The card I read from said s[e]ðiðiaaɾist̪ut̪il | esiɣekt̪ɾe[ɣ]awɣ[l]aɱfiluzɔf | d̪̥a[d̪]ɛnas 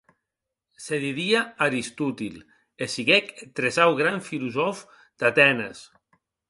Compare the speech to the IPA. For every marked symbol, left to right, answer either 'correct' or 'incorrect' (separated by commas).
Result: correct, incorrect, incorrect, incorrect